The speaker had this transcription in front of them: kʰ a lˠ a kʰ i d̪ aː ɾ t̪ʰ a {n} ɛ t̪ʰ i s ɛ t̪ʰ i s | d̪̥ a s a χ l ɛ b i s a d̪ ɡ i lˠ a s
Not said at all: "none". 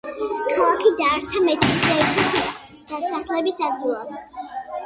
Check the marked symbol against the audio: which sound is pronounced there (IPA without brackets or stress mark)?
m